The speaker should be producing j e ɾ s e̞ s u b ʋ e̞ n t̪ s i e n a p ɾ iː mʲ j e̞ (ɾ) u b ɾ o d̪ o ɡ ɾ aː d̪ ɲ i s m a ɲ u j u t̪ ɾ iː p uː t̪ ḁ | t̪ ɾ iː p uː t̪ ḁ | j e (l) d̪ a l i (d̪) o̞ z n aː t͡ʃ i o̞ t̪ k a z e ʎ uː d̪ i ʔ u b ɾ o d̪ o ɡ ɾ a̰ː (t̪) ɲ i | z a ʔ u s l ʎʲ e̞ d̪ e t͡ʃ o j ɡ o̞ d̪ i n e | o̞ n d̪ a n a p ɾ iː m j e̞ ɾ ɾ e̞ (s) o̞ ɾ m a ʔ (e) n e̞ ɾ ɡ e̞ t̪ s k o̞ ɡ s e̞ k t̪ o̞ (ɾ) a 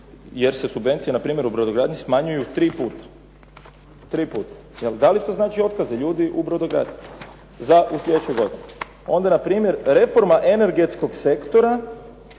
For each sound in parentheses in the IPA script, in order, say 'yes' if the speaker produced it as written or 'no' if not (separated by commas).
yes, yes, no, no, no, yes, yes